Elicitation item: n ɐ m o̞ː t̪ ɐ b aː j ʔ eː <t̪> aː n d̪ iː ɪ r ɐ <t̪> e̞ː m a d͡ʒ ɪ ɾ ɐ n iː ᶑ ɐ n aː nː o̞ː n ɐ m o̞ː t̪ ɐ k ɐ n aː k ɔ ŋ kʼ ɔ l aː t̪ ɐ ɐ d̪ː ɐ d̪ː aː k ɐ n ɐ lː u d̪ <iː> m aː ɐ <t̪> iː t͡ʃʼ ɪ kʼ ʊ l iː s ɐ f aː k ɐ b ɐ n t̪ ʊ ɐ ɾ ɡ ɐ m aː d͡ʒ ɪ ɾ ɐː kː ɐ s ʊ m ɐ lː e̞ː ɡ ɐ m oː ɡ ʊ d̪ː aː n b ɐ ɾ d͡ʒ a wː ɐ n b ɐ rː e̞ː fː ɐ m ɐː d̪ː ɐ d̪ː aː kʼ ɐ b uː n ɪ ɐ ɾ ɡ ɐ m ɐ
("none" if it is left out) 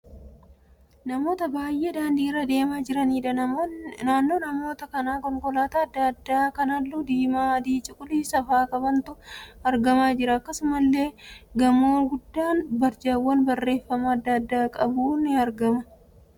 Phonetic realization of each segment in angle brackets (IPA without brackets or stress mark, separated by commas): d̪, d̪, iː, d̪